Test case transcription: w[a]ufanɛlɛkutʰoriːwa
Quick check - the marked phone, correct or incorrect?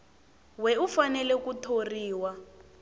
incorrect